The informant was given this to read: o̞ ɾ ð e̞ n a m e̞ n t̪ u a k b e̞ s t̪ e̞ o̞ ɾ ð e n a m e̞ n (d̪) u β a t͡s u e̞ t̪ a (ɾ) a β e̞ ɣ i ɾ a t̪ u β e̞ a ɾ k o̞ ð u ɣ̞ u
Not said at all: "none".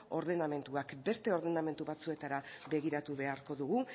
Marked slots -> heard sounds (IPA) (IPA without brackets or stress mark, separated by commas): t̪, ɾ